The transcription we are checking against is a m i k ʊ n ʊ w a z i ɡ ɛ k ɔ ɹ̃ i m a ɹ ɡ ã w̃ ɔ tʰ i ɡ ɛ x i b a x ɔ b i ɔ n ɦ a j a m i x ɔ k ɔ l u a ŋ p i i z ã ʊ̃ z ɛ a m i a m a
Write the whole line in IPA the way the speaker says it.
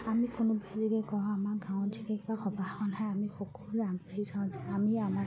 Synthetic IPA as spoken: a m i k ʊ n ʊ b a z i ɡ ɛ k ɔ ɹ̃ a m a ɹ ɡ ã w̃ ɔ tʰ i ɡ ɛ k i b a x ɔ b a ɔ n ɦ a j a m i x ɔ k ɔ l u a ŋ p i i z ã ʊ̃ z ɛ a m i a m a